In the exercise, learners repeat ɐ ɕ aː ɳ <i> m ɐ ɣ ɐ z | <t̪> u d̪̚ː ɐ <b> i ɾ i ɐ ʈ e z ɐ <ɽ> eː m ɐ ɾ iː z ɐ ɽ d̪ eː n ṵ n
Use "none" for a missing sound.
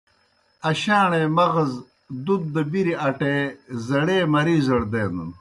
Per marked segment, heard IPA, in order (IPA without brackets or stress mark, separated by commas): e, d̪, b, ɽ